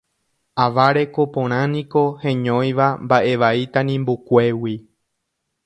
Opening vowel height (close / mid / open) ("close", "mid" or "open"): open